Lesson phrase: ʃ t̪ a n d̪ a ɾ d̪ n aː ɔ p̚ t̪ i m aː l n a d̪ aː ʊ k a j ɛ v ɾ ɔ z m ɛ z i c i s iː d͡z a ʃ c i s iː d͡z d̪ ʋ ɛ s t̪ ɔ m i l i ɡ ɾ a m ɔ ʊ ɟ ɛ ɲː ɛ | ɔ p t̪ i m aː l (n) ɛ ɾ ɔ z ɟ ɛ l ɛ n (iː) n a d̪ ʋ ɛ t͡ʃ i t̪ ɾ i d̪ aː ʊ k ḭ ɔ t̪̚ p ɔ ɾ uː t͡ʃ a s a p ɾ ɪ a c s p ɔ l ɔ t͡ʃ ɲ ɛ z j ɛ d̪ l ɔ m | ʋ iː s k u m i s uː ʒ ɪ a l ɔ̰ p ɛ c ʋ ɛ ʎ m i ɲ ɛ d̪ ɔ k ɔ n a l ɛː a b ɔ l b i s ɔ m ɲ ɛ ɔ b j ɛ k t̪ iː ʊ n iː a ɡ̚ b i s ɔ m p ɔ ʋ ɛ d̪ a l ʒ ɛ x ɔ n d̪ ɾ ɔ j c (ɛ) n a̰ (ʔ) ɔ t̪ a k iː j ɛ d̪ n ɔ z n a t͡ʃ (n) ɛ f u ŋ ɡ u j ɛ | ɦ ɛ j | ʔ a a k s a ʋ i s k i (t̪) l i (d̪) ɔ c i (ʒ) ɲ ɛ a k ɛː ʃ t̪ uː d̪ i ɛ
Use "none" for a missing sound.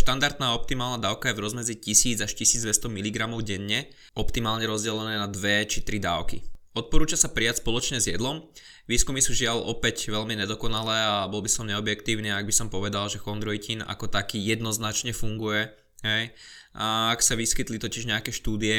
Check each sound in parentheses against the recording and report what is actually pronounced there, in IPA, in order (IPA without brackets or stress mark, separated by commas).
ɲ, ɛː, i, k, ɲ, t̪, t̪, ʒ